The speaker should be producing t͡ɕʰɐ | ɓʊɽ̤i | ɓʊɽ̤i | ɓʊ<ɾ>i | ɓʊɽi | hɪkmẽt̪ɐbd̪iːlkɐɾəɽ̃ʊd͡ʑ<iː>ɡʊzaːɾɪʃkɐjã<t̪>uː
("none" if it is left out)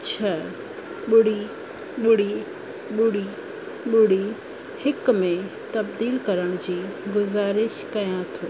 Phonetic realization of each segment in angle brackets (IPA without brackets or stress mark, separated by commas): ɽ, iː, t̪ʰ